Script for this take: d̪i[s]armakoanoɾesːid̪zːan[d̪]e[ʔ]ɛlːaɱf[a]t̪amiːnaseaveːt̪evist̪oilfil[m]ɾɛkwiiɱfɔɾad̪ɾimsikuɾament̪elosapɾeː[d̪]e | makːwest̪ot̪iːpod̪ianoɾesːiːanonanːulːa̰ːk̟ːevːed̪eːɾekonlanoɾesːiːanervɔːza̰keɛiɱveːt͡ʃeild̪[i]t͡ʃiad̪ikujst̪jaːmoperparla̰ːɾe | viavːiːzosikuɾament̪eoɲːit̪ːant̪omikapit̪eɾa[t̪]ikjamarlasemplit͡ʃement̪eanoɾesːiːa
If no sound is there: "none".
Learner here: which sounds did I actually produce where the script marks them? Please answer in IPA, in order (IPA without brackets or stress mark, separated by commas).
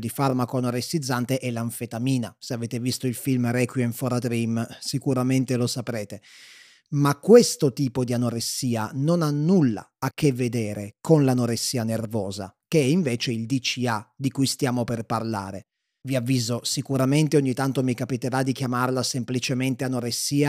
f, t̪, ʔ, e, m, t̪, i, d̪